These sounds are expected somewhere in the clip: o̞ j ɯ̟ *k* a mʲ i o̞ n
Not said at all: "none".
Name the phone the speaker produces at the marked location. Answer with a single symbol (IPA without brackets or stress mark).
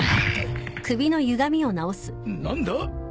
ɡ